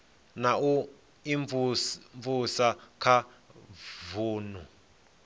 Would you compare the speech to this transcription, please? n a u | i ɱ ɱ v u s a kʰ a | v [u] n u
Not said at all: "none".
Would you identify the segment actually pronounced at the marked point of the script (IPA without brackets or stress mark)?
uː